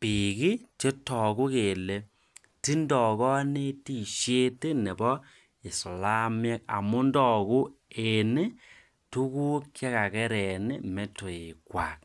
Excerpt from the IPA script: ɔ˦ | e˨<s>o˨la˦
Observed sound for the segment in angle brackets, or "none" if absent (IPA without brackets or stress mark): s